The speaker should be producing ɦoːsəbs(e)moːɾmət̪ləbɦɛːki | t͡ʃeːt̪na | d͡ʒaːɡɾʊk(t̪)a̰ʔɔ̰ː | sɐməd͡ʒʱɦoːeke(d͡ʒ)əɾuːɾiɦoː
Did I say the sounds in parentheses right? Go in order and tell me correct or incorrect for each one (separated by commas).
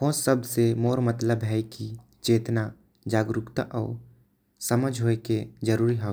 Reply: correct, correct, correct